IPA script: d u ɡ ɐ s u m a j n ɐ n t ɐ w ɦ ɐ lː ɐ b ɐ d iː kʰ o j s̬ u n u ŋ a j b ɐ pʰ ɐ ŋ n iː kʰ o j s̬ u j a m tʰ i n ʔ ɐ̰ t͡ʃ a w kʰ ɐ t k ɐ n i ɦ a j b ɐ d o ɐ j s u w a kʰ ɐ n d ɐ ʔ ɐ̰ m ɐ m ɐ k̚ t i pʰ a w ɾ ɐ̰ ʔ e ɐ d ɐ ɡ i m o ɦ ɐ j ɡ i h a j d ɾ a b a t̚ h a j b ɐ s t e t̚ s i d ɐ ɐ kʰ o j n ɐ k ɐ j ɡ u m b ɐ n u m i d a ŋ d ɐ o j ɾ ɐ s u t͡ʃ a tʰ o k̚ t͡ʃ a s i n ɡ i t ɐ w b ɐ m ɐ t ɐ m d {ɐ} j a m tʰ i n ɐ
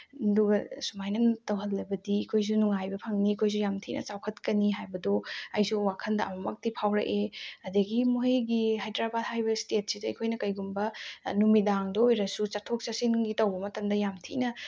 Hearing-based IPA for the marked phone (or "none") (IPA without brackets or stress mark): ɐ